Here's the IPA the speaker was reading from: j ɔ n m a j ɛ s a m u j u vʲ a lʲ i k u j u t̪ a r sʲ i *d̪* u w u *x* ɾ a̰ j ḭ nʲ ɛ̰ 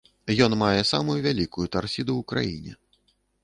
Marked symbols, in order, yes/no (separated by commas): yes, no